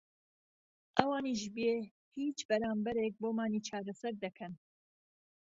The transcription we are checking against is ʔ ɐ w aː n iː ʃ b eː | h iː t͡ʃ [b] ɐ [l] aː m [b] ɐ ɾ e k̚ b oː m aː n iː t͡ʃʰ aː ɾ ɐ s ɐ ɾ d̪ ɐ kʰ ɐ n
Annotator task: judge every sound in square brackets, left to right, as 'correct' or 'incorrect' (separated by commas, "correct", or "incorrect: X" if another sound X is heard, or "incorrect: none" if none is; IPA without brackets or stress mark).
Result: correct, incorrect: ɾ, correct